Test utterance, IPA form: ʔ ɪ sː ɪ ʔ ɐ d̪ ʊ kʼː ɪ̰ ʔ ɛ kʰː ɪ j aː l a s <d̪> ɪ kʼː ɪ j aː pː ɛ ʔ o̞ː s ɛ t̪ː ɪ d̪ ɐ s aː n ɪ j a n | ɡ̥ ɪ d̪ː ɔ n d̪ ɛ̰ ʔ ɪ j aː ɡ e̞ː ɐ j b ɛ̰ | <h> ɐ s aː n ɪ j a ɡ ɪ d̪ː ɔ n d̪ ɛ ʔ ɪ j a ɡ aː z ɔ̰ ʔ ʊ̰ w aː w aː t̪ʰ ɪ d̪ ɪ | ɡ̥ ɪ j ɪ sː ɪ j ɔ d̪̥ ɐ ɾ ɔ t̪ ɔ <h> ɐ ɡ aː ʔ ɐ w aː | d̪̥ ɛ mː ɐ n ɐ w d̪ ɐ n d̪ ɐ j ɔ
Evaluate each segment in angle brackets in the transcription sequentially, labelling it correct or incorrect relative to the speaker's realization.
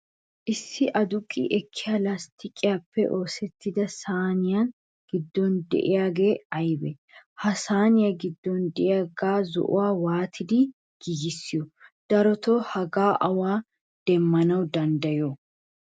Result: incorrect: t̪, correct, correct

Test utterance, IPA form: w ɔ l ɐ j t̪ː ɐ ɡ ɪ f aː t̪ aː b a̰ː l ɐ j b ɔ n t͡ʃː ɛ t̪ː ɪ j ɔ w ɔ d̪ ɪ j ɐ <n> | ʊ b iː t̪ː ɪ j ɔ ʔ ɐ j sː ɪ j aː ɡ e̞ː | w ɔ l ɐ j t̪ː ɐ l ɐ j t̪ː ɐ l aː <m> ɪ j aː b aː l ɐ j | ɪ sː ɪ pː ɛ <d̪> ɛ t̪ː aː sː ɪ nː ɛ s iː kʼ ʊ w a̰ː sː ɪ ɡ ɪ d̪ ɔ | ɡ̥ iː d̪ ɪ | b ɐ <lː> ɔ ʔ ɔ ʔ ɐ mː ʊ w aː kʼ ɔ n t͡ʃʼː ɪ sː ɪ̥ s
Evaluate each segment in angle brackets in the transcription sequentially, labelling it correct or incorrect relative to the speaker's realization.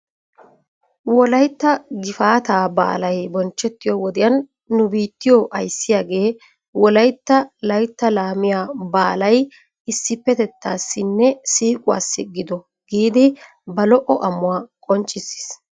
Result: incorrect: nː, correct, incorrect: t̪, incorrect: l

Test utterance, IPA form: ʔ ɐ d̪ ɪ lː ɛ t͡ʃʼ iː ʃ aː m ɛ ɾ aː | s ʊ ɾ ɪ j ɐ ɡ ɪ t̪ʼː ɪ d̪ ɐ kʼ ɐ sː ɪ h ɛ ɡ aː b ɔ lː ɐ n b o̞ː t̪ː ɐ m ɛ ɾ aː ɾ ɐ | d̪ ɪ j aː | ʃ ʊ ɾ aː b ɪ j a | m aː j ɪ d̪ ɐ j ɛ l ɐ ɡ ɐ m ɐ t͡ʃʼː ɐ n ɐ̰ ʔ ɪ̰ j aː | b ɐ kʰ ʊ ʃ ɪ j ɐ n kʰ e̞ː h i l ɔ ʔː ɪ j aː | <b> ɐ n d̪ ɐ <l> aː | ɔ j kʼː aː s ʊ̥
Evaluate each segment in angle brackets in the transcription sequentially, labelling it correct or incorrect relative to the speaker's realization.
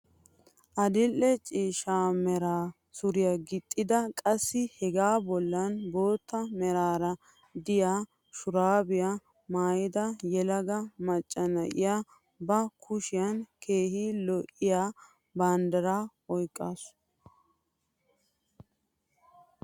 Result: correct, incorrect: ɾ

